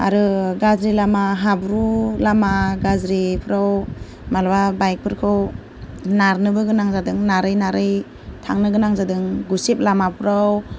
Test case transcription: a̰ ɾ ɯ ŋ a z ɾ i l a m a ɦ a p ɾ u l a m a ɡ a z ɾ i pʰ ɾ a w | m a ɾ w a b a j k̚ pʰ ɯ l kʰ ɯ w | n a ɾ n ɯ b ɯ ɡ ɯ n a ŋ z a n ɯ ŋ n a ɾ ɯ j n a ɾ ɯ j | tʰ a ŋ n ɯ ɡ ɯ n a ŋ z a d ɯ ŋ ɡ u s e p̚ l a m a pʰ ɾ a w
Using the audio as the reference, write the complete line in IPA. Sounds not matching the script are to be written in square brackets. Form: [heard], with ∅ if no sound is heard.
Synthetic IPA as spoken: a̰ ɾ ɯ [ɡ] a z ɾ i l a m a ɦ a [b] ɾ u l a m a ɡ a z ɾ i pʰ ɾ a w | m a [l] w a b a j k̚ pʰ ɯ [ɾ] kʰ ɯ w | n a ɾ n ɯ b ɯ ɡ ɯ n a ŋ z a [d] ɯ ŋ n a ɾ ɯ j n a ɾ ɯ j | tʰ a ŋ n ɯ ɡ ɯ n a ŋ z a d ɯ ŋ ɡ u s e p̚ l a m a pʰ ɾ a w